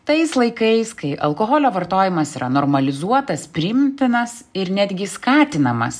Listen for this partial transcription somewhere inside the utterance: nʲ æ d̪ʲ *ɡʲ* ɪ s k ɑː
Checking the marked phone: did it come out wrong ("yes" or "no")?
no